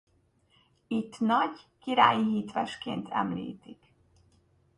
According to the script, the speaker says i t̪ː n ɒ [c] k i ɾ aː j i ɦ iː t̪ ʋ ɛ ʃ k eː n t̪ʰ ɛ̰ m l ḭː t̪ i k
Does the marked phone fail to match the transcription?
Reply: yes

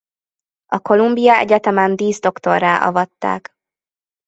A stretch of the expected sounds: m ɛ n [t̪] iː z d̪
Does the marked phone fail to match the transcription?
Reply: yes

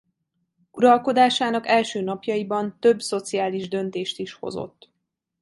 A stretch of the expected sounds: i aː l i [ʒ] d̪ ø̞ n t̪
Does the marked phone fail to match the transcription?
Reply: no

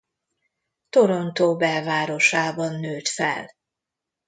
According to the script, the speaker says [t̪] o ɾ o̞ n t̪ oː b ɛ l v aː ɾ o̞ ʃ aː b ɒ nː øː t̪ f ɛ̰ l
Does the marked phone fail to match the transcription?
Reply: no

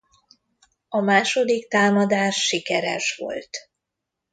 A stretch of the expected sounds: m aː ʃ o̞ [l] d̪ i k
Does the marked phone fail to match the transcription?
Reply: yes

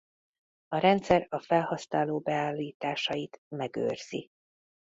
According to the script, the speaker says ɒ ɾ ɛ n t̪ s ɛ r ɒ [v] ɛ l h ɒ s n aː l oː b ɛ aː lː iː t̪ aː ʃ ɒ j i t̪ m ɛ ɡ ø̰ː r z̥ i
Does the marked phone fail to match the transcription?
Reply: yes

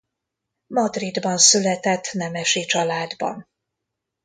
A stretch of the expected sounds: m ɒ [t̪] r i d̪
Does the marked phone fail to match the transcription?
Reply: yes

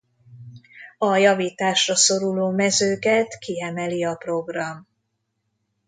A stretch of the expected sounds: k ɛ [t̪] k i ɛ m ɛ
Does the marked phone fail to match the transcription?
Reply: no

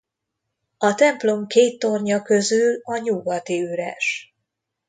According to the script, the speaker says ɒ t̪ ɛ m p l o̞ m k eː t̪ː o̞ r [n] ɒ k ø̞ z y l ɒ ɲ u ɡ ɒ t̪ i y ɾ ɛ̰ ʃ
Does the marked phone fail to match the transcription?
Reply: yes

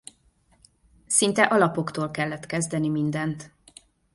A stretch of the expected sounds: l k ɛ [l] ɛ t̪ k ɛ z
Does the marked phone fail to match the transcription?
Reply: yes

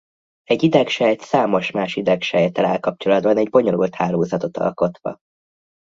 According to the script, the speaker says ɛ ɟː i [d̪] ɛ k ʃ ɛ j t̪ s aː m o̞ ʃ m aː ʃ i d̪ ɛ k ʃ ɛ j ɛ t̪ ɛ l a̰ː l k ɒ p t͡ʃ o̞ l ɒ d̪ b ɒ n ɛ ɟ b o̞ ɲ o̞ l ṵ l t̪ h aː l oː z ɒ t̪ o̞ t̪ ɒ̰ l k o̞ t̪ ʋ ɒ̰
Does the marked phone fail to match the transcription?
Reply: no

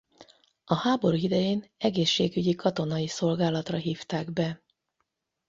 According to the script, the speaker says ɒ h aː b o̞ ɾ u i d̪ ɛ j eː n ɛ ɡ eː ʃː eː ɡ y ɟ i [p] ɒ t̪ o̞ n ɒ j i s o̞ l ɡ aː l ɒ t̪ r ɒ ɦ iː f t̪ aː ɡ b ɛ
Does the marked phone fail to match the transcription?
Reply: yes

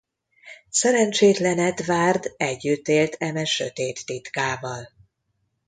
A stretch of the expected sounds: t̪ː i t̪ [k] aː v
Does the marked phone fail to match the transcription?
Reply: no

